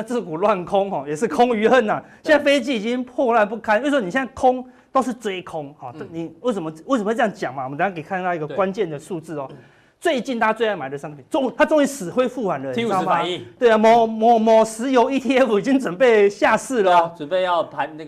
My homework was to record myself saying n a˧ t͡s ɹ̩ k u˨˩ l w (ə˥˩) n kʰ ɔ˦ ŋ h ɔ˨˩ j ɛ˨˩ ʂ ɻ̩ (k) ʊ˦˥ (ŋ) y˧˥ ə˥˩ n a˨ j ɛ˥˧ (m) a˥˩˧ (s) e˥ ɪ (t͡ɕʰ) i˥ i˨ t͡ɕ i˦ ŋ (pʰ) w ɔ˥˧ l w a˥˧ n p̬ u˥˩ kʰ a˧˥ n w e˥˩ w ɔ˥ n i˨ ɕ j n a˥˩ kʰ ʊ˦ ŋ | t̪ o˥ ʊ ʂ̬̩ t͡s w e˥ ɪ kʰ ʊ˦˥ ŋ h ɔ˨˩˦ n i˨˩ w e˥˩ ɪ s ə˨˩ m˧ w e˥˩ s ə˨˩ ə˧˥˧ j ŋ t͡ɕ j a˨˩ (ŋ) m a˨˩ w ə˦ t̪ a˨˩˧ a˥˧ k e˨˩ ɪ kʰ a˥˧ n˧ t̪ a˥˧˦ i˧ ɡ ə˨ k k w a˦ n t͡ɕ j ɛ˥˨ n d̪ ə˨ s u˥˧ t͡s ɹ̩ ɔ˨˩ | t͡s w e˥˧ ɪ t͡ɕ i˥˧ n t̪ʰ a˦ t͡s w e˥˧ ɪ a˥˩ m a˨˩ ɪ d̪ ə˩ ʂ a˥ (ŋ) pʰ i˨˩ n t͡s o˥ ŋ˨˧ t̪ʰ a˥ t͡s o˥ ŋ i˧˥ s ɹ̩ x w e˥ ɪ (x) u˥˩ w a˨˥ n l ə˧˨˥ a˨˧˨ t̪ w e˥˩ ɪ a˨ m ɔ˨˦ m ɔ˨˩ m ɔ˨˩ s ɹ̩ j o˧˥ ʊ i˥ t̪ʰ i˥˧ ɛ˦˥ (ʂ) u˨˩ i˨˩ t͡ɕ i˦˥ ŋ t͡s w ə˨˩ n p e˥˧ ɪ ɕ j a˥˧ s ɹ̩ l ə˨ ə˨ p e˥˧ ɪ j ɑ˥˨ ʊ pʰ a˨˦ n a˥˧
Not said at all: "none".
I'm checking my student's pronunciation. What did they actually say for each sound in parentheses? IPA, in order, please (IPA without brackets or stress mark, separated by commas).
a˥˩, kʰ, ŋ, n, f, t͡ɕ, pʰ, ŋ, ŋ, f, f